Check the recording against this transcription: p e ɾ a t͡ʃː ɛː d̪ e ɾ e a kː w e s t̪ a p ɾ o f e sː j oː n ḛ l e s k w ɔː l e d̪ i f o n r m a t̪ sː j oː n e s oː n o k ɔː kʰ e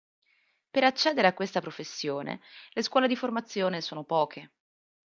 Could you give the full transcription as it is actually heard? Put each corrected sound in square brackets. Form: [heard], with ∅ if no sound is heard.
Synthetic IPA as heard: p e ɾ a t͡ʃː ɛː d̪ e ɾ e a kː w e s t̪ a p ɾ o f e sː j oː n ḛ l e s k w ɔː l e d̪ i f o [∅] r m a t̪ sː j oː n e s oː n o [p] ɔː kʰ e